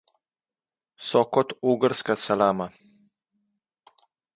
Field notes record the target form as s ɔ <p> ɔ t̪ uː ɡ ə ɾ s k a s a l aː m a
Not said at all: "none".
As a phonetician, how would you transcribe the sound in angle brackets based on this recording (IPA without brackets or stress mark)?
k